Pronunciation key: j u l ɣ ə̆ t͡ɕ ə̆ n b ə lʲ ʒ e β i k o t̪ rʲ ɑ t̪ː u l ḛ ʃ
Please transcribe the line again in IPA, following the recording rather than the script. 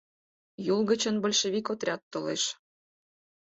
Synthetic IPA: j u l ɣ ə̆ t͡ɕ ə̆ n b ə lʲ ʃ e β i k o t̪ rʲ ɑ t̪ː o l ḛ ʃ